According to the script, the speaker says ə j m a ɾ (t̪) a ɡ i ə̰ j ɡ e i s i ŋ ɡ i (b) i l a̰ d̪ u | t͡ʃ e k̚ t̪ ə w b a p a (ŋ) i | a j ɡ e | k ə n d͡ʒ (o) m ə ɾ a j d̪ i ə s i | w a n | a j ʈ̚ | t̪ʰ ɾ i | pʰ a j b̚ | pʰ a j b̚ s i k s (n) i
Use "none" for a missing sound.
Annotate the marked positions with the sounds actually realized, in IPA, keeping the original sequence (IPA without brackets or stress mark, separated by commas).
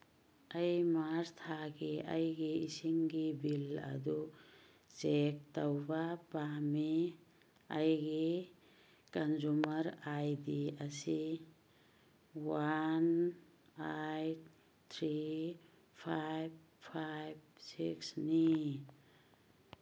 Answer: t̪ʰ, b, m, u, n